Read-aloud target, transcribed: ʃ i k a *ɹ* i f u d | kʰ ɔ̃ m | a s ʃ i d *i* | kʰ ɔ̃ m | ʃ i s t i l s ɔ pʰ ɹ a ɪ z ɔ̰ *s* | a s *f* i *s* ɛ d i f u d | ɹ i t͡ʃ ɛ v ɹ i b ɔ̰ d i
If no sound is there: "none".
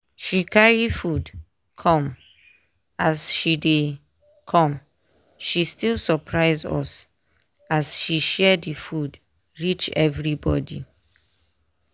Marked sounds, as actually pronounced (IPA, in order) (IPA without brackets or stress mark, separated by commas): ɹ, e, s, ʃ, ʃ